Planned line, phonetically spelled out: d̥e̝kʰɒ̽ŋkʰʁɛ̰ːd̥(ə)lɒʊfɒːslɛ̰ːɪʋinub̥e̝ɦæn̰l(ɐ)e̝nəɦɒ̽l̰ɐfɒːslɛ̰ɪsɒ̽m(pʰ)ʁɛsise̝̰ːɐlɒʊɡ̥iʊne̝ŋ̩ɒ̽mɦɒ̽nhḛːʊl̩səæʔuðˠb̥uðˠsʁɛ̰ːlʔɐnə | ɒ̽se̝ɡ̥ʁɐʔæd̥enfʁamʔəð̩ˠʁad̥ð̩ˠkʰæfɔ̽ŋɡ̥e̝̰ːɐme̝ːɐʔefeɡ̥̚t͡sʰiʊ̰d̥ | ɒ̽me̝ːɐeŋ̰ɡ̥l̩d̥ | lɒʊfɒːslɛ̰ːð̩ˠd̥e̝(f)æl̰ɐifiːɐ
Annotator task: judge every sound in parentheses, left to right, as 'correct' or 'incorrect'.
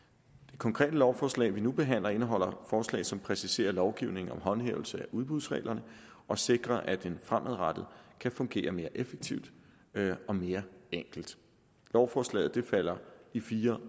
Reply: correct, correct, correct, correct

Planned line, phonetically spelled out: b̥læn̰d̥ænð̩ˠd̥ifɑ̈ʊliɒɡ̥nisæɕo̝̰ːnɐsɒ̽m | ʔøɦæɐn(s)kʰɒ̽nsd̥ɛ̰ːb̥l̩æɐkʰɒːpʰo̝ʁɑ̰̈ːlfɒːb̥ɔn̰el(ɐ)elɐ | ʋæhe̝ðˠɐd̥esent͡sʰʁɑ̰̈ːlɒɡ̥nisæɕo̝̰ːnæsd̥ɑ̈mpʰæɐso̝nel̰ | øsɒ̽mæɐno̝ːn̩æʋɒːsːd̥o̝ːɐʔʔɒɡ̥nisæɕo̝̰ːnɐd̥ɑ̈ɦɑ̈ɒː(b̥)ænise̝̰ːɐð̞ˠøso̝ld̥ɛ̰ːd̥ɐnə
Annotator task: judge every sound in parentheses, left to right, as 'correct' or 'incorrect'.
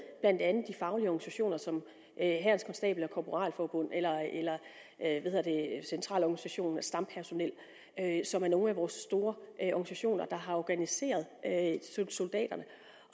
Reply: correct, correct, incorrect: ɡ̥

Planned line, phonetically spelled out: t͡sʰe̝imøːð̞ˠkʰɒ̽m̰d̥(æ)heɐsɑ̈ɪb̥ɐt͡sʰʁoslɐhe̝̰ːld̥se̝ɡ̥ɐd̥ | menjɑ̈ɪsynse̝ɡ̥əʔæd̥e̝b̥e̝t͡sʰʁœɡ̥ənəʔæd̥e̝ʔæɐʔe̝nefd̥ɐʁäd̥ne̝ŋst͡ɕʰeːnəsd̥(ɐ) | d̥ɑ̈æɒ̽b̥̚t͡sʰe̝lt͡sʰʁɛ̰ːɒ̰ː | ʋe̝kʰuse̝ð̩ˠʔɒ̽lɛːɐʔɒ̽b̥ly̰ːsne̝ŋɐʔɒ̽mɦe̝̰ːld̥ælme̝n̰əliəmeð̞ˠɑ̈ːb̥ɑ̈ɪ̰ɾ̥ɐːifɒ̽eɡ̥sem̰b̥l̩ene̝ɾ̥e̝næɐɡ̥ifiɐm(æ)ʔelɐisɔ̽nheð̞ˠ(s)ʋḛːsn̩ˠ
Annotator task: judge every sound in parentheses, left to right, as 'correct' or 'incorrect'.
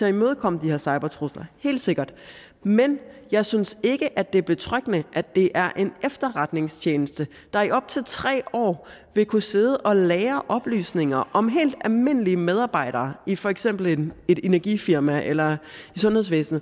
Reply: incorrect: i, incorrect: ə, correct, correct

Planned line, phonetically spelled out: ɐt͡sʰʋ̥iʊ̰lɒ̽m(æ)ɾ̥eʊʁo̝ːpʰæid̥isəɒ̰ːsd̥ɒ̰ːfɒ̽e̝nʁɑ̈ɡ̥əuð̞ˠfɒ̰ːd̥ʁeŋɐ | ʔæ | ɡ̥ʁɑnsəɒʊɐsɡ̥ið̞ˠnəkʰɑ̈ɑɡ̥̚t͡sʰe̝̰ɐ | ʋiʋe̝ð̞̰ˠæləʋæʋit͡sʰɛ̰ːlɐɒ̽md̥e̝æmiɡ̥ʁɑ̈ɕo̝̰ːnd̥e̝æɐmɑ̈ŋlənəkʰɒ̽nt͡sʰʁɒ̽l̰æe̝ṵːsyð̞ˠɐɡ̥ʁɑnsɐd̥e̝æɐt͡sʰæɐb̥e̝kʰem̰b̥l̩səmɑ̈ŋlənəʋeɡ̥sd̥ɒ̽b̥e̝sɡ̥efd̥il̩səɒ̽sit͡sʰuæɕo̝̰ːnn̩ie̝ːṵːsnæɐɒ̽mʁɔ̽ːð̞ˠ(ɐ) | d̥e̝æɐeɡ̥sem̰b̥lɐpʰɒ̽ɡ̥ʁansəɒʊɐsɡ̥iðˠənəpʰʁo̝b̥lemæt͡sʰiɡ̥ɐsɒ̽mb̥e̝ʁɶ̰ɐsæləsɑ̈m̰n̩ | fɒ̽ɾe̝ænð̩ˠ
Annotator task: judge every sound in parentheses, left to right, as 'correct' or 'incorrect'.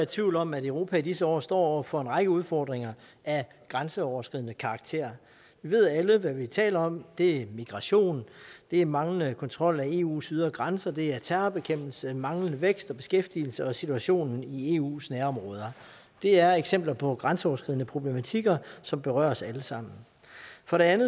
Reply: correct, correct

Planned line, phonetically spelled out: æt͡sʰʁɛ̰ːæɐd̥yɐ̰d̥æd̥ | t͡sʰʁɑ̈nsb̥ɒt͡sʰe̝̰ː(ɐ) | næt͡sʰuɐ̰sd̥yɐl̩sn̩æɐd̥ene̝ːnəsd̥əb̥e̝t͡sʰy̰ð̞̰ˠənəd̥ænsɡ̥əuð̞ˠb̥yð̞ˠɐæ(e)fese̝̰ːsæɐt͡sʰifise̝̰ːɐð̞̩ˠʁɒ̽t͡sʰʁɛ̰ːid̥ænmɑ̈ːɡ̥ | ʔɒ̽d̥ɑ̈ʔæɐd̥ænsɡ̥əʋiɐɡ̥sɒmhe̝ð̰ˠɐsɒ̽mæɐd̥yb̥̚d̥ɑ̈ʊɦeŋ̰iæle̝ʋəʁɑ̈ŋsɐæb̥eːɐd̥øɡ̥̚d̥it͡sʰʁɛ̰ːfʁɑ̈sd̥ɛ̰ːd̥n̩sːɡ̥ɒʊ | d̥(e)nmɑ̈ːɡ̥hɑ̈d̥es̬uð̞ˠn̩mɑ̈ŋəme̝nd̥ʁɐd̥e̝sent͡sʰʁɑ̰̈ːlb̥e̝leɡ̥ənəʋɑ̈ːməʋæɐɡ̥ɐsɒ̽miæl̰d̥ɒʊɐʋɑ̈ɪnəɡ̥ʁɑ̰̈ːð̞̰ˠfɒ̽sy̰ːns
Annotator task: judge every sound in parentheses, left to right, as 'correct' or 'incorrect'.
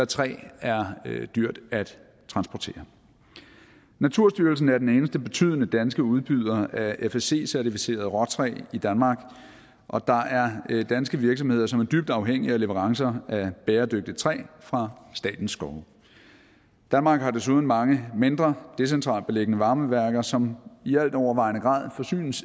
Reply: correct, correct, incorrect: æ

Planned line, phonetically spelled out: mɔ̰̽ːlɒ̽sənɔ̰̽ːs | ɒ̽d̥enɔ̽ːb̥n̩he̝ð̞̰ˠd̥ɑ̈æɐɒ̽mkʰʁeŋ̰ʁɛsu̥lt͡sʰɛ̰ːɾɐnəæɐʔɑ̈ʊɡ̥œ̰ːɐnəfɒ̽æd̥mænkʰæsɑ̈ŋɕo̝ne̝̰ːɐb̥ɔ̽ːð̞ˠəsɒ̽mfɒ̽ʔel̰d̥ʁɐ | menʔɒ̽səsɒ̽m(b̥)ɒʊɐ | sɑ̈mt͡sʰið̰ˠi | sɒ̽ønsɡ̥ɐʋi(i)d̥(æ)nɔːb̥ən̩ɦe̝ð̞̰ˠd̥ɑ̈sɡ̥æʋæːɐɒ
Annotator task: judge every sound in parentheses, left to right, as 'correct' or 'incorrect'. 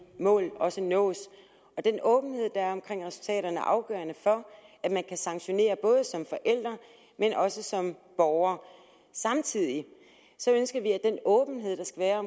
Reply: correct, incorrect: æ, incorrect: e

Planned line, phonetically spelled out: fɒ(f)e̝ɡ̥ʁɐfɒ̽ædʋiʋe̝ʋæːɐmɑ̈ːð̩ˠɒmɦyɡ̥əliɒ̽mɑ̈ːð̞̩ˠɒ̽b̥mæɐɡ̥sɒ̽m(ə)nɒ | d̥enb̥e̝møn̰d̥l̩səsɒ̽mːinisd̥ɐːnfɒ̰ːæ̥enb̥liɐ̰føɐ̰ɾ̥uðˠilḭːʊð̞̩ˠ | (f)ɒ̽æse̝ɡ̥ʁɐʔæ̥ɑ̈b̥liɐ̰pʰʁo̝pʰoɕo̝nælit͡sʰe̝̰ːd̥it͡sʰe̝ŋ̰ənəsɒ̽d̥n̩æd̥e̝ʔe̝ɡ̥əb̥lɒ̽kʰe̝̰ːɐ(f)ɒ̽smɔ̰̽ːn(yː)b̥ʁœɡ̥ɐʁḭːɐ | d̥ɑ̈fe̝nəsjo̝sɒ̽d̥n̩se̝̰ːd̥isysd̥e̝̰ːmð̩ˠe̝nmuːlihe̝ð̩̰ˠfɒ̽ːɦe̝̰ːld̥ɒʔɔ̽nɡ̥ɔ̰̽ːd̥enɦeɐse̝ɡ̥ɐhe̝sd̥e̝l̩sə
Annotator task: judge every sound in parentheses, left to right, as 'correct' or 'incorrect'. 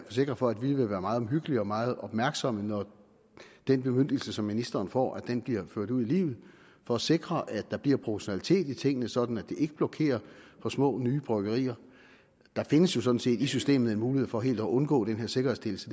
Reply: incorrect: s, correct, correct, correct, correct

